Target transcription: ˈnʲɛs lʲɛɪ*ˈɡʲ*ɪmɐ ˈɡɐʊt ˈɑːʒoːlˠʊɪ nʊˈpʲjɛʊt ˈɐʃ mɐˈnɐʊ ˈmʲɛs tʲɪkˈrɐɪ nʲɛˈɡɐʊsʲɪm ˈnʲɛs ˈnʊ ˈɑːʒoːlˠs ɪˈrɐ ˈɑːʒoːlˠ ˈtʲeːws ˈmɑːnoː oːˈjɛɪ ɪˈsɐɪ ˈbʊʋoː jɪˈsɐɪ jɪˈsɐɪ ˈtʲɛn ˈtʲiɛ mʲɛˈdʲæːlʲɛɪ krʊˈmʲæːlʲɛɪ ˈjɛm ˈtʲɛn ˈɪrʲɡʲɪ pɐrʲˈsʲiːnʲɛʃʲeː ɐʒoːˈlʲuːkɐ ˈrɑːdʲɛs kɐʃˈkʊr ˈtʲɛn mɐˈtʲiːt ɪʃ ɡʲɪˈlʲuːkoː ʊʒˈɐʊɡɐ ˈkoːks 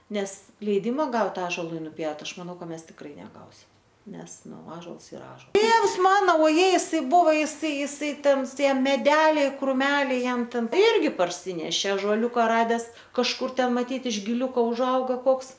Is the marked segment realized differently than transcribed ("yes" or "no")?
yes